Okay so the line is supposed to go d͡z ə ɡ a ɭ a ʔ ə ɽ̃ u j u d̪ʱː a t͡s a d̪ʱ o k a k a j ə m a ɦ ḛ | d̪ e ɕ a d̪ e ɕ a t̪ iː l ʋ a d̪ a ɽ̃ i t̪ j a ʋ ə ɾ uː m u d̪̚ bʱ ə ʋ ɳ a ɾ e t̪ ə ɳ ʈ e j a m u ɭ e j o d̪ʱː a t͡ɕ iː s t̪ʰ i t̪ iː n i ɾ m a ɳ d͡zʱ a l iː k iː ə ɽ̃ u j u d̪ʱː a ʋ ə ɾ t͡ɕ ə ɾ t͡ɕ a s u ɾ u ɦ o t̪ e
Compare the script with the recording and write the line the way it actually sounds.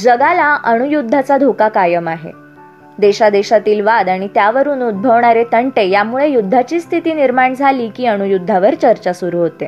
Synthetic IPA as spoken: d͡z ə ɡ a l a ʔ ə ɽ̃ u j u d̪ʱː a t͡s a d̪ʱ o k a k a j ə m a ɦ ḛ | d̪ e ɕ a d̪ e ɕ a t̪ iː l ʋ a d̪ a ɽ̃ i t̪ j a ʋ ə ɾ uː n u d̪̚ bʱ ə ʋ ɳ a ɾ e t̪ ə ɳ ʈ e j a m u ɭ e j u d̪ʱː a t͡ɕ iː s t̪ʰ i t̪ iː n i ɾ m a ɳ d͡zʱ a l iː k iː ə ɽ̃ u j u d̪ʱː a ʋ ə ɾ t͡ɕ ə ɾ t͡ɕ a s u ɾ u ɦ o t̪ e